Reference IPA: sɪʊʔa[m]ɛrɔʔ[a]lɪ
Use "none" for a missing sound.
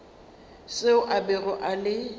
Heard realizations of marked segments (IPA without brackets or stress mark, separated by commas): b, a